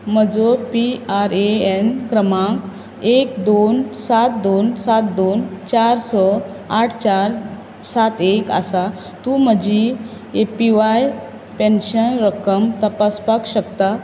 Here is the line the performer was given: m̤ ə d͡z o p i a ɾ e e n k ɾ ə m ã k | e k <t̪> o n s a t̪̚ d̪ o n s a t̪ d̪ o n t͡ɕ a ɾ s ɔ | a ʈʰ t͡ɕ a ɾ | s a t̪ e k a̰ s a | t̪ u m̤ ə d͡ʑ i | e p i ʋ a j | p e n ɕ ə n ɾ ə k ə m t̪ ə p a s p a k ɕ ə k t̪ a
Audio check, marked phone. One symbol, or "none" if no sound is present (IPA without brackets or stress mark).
d̪